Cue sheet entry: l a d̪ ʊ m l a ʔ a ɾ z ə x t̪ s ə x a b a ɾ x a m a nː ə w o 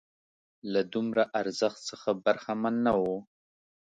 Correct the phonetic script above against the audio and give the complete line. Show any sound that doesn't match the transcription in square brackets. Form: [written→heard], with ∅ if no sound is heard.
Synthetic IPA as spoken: l a d̪ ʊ m [l→ɾ] a ʔ a ɾ z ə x t̪ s ə x a b a ɾ x a m a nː [ə→a] w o